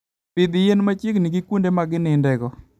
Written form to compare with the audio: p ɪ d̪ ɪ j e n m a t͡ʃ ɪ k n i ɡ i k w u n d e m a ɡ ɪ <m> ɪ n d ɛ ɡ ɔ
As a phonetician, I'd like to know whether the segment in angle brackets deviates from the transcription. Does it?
yes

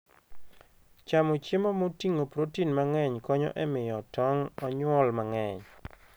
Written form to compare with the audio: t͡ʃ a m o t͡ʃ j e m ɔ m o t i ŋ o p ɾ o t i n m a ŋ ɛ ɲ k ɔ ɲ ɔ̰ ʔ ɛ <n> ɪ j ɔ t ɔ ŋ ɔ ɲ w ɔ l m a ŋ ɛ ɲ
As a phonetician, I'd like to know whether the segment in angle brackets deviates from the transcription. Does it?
yes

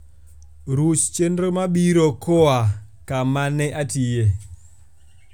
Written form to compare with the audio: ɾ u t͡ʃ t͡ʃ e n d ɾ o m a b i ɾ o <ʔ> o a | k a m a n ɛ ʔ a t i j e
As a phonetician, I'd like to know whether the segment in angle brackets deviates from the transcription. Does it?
yes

